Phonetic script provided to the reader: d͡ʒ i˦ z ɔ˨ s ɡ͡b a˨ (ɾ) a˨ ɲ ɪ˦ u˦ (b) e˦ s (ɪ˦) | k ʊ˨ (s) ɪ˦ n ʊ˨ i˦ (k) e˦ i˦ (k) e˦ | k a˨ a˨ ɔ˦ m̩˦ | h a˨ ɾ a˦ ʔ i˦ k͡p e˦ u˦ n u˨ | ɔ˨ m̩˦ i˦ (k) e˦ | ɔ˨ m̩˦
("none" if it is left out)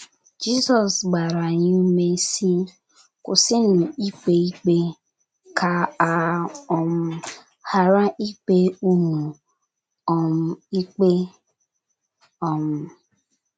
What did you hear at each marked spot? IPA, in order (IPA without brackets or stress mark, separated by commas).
ɾ, m, i˦, s, k͡p, k͡p, k͡p